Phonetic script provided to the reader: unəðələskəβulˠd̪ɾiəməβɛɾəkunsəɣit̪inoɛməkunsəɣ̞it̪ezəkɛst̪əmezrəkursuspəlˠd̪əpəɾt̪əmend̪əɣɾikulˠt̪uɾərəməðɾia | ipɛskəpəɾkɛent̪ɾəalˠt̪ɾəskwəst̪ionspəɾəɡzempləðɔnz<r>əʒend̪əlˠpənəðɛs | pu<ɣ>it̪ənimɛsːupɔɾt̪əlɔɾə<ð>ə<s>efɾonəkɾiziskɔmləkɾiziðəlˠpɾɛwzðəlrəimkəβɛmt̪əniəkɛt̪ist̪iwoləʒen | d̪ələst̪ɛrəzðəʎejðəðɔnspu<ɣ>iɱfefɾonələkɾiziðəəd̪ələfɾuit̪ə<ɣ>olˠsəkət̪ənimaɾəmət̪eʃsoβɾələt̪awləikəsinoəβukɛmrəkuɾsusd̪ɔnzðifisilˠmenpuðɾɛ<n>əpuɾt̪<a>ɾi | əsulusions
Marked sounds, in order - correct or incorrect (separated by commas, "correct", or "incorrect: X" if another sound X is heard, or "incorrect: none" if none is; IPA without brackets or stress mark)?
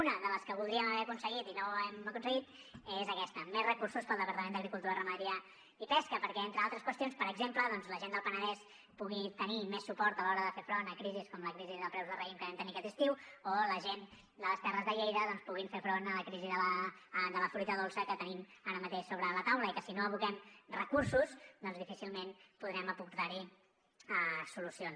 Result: incorrect: l, correct, correct, incorrect: f, correct, incorrect: ð, incorrect: m, correct